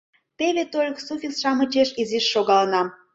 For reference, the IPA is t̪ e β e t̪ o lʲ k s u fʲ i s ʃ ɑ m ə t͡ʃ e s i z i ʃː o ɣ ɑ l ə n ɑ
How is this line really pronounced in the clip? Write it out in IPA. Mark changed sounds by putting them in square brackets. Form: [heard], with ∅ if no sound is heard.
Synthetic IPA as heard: t̪ e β e t̪ o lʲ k s u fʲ i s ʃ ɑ m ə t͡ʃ e [ʃ] i z i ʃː o ɣ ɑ l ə n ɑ